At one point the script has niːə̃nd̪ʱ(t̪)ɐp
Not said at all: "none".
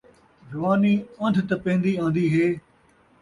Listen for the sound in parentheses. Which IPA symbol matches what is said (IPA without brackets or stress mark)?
t̪